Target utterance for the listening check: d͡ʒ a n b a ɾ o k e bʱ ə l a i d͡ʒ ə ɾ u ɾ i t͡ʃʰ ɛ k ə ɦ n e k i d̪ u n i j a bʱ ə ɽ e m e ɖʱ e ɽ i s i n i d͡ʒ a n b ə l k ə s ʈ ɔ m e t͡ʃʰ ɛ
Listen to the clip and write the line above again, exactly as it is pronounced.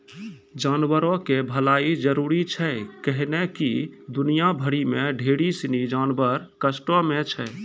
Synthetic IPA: d͡ʒ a n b ə ɾ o k e bʱ ə l a i d͡ʒ ə ɾ u ɾ i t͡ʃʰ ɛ k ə ɦ n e k i d̪ u n i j a bʱ ə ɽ i m e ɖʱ e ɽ i s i n i d͡ʒ a n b ə ɾ k ə s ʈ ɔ m e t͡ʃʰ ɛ

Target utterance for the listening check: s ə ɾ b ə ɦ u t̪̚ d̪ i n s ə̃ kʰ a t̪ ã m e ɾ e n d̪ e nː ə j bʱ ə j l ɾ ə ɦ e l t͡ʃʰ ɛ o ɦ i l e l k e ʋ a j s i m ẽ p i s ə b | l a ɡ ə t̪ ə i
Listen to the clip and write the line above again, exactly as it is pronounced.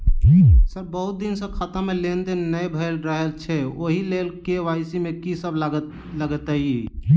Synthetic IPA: s ə ɾ b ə ɦ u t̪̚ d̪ i n s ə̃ kʰ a t̪ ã m e l e n d̪ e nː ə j bʱ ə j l ɾ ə ɦ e l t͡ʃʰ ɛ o ɦ i l e l k e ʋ a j s i m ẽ k i s ə b | l ə ɡ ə t̪ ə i

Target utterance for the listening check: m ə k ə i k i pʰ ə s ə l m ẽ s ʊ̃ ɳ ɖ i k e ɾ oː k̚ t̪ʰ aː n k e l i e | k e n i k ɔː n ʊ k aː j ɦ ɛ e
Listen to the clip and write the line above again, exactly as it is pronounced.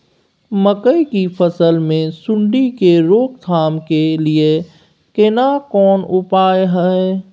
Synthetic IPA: m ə k ə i k i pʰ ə s ə l m ẽ s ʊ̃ ɳ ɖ i k e ɾ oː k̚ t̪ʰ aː m k e l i e | k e n a k ɔː n ʊ p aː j ɦ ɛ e

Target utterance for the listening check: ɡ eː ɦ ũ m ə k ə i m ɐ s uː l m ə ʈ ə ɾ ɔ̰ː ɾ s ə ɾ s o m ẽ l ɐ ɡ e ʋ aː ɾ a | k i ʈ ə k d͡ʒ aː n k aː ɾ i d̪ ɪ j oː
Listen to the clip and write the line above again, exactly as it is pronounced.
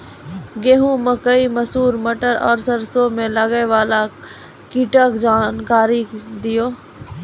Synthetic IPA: ɡ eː ɦ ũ m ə k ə i m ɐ s uː ɾ m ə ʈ ə ɾ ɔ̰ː ɾ s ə ɾ s o m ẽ l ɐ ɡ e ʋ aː l a | k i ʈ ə k d͡ʒ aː n k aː ɾ i d̪ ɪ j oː

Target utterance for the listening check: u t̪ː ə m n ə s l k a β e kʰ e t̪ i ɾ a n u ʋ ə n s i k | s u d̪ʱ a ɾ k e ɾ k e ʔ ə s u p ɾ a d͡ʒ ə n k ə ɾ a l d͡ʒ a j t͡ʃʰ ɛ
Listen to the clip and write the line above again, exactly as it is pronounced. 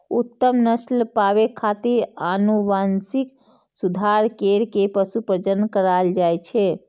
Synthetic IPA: u t̪ː ə m n ə s l p a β e kʰ a t̪ i ɾ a n u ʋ a n s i k | s u d̪ʱ a ɾ k e ɾ k e p ə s u p ɾ ə d͡ʒ ə n k ə ɾ a l d͡ʒ a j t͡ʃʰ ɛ

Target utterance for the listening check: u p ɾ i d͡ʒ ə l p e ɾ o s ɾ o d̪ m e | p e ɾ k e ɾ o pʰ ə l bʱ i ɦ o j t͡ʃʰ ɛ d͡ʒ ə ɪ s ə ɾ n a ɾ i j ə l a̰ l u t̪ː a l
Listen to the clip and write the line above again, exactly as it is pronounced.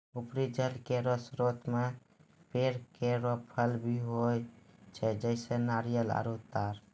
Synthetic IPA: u p ɾ i d͡ʒ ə l k e ɾ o s ɾ o t̪ m e | p e ɾ k e ɾ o pʰ ə l bʱ i ɦ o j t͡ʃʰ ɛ d͡ʒ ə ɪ s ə n a ɾ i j ə l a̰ ɾ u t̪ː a ɾ

